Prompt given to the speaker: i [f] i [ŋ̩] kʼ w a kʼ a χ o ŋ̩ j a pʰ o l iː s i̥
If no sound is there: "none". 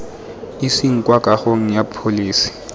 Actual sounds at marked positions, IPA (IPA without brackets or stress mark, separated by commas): s, ŋ̩